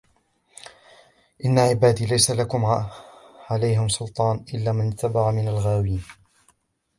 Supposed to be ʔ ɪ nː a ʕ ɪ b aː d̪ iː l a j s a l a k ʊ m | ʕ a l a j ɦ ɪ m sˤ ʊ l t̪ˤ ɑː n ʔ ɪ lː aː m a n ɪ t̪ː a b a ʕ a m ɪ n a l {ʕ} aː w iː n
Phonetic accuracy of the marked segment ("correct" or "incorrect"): incorrect